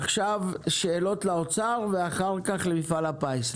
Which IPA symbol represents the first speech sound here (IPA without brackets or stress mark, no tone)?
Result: χ